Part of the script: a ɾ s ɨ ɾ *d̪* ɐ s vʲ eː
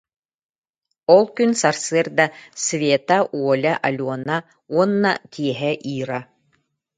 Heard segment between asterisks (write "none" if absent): d̪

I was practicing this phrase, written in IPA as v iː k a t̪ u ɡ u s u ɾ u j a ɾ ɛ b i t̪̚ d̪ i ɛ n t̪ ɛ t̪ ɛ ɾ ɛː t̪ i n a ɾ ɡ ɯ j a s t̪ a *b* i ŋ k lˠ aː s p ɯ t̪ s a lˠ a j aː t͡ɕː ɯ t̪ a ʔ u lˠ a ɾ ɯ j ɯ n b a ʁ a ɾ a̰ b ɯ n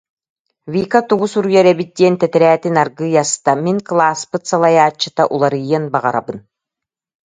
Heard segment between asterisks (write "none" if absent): m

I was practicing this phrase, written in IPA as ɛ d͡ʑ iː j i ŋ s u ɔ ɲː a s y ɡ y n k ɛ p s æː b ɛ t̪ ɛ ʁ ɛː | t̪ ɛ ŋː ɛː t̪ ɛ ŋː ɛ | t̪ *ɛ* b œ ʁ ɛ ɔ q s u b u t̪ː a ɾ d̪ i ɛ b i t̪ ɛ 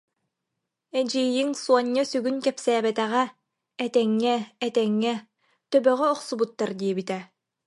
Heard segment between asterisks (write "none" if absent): œ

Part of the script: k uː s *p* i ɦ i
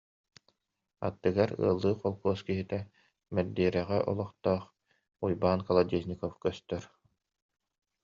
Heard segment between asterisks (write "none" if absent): k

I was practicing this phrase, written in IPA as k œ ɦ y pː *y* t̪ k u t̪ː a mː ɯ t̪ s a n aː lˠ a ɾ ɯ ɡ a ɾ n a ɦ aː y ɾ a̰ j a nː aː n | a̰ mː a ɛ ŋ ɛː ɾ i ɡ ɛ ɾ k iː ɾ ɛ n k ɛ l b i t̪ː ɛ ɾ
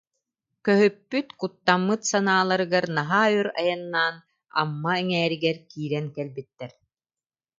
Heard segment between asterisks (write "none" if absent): y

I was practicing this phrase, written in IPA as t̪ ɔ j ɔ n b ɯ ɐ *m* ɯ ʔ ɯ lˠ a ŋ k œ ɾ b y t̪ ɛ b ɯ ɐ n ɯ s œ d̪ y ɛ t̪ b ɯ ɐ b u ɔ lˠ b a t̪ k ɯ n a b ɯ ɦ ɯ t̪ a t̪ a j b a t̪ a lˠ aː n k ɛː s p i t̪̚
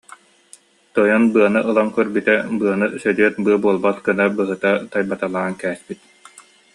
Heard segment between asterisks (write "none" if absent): n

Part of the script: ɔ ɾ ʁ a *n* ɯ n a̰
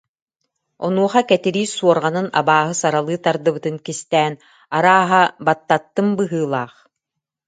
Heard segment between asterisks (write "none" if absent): n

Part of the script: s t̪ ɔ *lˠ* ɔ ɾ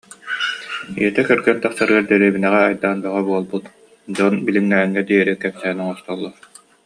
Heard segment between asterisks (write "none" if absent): lˠː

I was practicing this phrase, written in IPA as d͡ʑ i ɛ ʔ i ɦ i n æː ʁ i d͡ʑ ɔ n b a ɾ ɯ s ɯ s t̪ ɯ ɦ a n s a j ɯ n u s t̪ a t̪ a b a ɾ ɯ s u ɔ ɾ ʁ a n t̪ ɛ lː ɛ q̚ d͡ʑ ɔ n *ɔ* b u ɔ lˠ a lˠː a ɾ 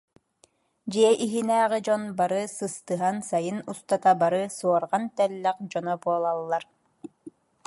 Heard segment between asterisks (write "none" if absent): ɔ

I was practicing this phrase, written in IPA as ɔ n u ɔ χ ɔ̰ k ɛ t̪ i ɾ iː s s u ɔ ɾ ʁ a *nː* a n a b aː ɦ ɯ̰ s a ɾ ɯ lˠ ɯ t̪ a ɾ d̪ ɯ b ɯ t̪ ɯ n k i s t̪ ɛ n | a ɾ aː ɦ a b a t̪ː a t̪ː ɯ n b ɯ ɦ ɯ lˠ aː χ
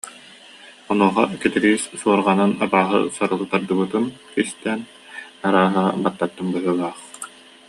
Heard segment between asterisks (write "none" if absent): n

